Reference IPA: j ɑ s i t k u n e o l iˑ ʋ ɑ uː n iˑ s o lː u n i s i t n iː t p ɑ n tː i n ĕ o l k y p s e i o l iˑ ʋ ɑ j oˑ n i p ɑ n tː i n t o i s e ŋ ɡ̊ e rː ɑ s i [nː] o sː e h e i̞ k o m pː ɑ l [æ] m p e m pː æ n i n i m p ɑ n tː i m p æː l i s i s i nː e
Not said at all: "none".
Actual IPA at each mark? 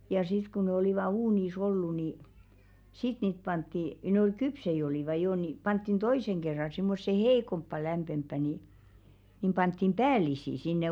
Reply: mː, æ

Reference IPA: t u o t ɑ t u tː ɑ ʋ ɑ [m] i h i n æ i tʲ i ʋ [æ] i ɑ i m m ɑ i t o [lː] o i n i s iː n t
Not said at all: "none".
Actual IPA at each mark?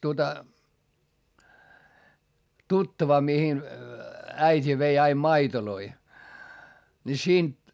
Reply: m, e, l

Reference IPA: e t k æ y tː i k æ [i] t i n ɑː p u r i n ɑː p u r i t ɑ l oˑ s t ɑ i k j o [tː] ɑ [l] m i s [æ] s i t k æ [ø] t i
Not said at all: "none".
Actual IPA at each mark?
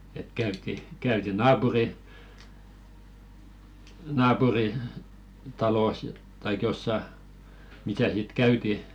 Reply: y, sː, none, æ, y

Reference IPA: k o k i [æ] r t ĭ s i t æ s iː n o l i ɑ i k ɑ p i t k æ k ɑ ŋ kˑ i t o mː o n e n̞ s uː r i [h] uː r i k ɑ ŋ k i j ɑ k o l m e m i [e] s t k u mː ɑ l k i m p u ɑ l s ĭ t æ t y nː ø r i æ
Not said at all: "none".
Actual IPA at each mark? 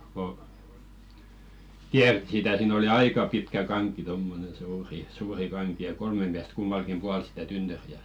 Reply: æ, s, æ

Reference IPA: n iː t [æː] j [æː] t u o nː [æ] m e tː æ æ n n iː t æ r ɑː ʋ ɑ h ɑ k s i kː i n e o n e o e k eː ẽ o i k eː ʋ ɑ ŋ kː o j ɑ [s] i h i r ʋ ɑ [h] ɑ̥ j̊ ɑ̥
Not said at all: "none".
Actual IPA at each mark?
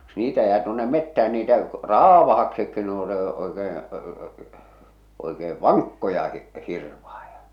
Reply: æ, æː, e, h, h

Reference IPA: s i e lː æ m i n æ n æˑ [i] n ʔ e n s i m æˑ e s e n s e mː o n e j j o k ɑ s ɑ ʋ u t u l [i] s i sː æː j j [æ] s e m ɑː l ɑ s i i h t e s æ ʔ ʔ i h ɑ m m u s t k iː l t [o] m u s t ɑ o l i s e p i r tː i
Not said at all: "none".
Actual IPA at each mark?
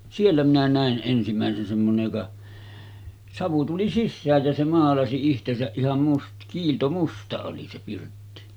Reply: e, i, æ, o

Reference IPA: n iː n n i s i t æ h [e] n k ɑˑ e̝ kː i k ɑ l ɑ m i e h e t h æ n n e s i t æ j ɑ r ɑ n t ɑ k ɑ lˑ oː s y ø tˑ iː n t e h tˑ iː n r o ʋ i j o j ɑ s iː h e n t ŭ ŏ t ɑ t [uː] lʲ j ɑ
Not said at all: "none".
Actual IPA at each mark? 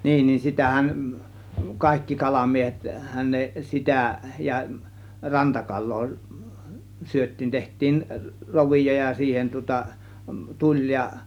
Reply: æ, u

